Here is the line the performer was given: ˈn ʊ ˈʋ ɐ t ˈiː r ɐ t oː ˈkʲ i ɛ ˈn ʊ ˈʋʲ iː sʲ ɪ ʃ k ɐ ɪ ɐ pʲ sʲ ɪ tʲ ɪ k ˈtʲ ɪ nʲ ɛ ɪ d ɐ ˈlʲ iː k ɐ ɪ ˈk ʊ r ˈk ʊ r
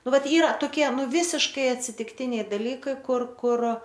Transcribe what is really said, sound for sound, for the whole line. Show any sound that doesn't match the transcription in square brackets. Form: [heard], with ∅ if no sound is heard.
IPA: ˈn ʊ ˈʋ ɐ t ˈiː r ɐ t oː ˈkʲ i ɛ ˈn ʊ ˈʋʲ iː sʲ ɪ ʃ k ɐ ɪ ɐ [tʲ] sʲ ɪ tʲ ɪ k ˈtʲ ɪ nʲ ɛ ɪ d ɐ ˈlʲ iː k ɐ ɪ ˈk ʊ r ˈk ʊ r